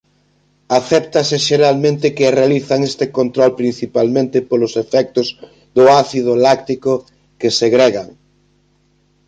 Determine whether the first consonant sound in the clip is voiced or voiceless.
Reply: voiceless